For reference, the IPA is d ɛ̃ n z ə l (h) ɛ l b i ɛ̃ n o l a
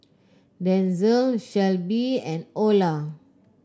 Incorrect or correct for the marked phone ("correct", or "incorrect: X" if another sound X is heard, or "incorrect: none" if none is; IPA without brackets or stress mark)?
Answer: incorrect: ʃ